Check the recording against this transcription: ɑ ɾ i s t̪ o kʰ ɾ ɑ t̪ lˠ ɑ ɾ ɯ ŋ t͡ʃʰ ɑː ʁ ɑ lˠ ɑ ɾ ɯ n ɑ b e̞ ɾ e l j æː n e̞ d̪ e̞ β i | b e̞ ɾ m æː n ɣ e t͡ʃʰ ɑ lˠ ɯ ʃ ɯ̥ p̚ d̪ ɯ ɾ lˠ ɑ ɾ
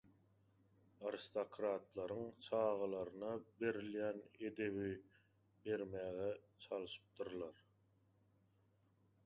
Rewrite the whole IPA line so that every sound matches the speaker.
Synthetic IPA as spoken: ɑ ɾ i s t̪ o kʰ ɾ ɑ t̪ lˠ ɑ ɾ ɯ ŋ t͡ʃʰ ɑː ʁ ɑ lˠ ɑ ɾ ɯ n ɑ b e̞ ɾ i l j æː n e̞ d̪ e̞ β i | b e̞ ɾ m æː ɣ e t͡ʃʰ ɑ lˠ ɯ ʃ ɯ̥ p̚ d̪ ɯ ɾ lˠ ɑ ɾ